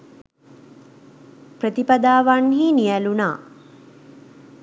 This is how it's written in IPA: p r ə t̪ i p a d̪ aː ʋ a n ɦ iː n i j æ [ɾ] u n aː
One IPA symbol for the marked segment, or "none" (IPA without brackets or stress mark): l